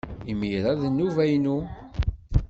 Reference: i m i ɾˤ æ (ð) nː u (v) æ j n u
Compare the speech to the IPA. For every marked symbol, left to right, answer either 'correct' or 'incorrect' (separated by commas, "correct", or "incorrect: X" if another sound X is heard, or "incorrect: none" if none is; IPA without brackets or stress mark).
correct, correct